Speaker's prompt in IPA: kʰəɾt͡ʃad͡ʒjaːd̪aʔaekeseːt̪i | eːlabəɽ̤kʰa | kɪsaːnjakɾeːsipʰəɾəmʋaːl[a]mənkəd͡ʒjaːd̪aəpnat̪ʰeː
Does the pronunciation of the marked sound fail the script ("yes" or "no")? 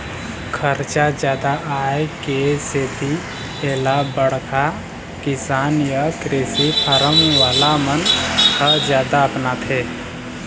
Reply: no